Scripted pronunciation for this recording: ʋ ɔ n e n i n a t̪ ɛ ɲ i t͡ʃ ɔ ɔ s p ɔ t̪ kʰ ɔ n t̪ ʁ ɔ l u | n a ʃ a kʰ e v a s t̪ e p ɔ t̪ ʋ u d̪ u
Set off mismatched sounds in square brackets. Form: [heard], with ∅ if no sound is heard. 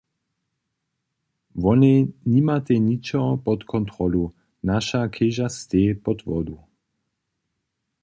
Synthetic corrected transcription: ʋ ɔ n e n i [m] a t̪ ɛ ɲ i t͡ʃ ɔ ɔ [∅] p ɔ t̪ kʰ ɔ n t̪ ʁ ɔ l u | n a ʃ a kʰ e [ʒ] a s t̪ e p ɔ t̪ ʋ [ɔ] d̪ u